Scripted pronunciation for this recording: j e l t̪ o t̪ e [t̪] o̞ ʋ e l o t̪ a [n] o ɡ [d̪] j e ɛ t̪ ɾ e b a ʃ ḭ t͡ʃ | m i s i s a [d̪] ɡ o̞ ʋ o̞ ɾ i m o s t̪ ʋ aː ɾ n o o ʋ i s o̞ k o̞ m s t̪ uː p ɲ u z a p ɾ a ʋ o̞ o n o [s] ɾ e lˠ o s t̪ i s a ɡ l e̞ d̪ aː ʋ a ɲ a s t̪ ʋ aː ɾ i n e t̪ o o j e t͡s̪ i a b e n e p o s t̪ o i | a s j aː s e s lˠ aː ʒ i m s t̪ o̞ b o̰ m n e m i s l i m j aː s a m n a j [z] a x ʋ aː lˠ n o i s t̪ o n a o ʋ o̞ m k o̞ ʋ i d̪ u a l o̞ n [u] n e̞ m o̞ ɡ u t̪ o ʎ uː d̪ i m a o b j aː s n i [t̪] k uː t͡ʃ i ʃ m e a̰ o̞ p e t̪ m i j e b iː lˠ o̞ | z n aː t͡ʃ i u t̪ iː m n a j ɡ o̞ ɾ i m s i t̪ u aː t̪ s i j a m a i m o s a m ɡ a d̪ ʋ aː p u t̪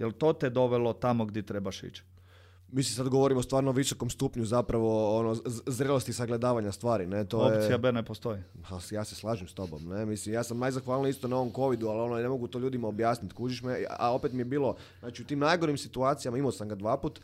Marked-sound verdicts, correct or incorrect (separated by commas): incorrect, incorrect, correct, correct, incorrect, correct, incorrect, correct